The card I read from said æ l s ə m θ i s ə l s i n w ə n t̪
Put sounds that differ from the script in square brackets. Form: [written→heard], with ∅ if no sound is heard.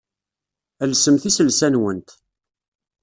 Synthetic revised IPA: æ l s ə m θ i s ə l s [i→æ] n w ə n t̪